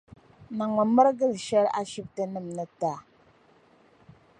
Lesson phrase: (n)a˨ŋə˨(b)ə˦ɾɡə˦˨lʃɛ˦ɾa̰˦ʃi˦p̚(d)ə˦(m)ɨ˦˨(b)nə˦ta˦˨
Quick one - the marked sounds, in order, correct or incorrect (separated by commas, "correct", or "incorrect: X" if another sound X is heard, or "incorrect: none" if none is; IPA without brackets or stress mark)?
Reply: correct, incorrect: m, incorrect: t, incorrect: n, incorrect: m